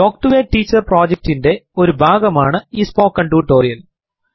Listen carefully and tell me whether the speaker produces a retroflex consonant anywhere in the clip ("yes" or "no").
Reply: yes